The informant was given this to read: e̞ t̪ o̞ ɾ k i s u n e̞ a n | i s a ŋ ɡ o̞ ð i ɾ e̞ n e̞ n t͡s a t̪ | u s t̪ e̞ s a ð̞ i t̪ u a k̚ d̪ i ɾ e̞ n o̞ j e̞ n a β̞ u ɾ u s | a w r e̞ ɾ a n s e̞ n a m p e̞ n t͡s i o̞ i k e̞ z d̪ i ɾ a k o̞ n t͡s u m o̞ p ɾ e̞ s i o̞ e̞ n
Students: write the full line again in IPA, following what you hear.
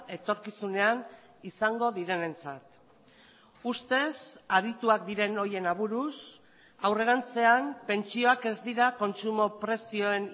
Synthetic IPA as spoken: e̞ t̪ o̞ ɾ k i s u n e̞ a n | i s a ŋ ɡ o̞ ð i ɾ e̞ n e̞ n t͡s a t̪ | u s t̪ e̞ s a ð̞ i t̪ u a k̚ d̪ i ɾ e̞ n o̞ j e̞ n a β̞ u ɾ u s | a w r e̞ ɾ a n t͡s e̞ a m p e̞ n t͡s i o̞ a k e̞ z d̪ i ɾ a k o̞ n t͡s u m o̞ p ɾ e̞ s i o̞ e̞ n